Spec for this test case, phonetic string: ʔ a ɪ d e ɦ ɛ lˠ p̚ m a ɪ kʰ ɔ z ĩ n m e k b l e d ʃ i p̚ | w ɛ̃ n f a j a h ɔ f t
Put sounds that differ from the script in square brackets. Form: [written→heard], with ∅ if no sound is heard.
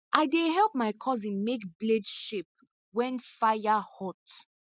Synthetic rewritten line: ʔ a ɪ d e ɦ ɛ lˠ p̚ m a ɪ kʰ ɔ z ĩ n m e k b l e d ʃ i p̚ | w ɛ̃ n f a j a h ɔ [f→∅] t